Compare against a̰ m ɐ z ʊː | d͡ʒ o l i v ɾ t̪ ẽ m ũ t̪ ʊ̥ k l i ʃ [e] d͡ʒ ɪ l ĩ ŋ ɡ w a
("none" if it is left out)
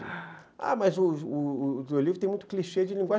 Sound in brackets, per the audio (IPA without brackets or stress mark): e